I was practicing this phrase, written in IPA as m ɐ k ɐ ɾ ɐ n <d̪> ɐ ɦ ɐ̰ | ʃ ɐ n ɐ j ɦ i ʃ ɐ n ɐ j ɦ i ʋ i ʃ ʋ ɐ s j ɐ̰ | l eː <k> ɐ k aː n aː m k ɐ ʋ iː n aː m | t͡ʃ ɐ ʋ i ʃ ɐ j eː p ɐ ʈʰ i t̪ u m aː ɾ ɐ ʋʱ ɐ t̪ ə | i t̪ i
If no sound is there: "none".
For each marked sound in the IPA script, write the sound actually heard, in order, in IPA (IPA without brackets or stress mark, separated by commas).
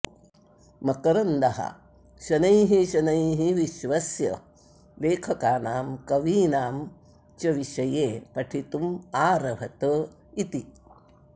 d̪, kʰ